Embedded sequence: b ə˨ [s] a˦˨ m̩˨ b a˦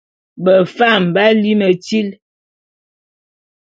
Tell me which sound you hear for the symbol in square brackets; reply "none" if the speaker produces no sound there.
f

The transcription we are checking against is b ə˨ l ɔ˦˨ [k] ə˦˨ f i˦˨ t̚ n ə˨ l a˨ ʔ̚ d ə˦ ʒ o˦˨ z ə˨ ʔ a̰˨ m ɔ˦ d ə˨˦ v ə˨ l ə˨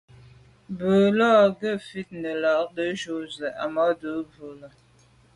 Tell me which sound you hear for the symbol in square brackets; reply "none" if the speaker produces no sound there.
ɡ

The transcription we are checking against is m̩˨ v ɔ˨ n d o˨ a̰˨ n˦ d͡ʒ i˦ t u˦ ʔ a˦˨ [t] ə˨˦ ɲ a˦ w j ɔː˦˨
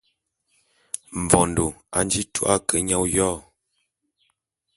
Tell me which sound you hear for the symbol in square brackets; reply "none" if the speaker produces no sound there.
k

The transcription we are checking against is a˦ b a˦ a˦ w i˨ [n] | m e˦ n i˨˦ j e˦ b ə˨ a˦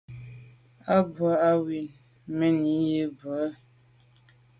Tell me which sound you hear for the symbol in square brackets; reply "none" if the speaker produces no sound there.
n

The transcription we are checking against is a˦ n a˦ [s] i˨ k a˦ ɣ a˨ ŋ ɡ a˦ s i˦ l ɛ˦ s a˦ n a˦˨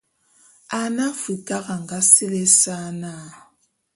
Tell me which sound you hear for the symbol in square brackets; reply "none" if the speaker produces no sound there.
f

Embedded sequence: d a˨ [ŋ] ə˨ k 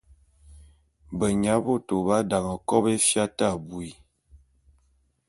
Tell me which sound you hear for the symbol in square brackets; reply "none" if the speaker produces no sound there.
ŋ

